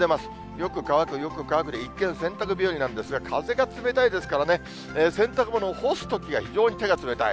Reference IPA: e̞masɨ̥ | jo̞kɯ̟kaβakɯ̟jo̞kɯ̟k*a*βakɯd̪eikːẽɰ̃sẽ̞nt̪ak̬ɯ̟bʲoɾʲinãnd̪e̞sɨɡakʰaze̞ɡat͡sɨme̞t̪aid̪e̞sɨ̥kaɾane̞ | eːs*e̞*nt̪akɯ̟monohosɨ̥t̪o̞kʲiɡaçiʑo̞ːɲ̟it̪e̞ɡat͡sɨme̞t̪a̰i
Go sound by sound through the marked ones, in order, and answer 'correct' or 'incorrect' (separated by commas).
correct, incorrect